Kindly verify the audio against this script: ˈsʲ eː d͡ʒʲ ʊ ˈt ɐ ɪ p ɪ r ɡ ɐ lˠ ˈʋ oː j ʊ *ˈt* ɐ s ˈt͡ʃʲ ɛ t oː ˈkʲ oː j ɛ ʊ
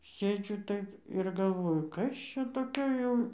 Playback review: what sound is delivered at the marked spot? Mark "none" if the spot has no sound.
k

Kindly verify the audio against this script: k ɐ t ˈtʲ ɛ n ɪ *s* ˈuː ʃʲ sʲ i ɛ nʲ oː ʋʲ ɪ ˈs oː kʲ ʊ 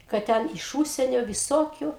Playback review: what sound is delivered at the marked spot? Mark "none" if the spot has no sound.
ʃ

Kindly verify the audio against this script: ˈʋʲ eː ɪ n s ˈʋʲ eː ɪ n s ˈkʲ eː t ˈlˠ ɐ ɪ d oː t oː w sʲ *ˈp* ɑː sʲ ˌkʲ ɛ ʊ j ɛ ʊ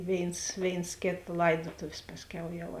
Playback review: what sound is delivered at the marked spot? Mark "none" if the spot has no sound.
p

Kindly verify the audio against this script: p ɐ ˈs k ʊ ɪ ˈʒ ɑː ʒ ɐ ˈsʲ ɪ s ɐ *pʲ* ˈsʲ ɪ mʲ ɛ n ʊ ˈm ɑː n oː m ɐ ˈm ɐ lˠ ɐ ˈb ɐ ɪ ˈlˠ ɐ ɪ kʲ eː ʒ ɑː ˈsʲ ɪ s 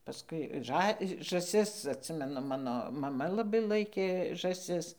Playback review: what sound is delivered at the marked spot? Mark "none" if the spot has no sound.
tʲ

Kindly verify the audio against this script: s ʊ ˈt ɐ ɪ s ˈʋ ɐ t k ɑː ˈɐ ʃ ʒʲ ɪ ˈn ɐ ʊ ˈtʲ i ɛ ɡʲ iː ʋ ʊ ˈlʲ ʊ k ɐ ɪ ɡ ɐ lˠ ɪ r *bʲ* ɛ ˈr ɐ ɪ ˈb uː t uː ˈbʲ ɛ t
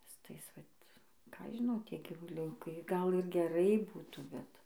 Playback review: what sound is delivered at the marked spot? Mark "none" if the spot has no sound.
ɡʲ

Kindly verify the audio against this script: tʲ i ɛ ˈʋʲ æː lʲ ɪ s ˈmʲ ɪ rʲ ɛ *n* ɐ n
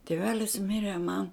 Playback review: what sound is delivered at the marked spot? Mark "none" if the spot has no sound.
m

